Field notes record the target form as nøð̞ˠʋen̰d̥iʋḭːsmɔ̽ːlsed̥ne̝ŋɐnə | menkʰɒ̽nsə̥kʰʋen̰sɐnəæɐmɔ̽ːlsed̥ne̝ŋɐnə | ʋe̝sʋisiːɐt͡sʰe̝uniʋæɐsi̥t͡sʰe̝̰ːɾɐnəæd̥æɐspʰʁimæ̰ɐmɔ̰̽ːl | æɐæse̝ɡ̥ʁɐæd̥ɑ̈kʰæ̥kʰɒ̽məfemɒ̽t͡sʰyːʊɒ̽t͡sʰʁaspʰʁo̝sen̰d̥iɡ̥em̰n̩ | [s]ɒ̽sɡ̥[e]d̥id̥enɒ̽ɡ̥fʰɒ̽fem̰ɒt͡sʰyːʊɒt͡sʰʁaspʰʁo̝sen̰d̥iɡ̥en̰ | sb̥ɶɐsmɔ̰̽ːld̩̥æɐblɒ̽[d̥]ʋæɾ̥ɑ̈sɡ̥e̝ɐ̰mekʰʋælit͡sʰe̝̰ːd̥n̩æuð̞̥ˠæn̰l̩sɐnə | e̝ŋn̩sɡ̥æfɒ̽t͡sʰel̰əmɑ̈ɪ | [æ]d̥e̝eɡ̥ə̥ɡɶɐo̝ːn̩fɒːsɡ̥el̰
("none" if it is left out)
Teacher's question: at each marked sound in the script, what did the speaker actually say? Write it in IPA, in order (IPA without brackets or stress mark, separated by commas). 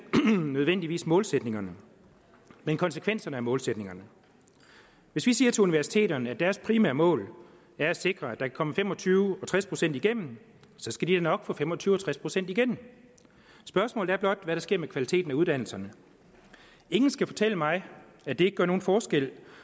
s, æ, d̥, æ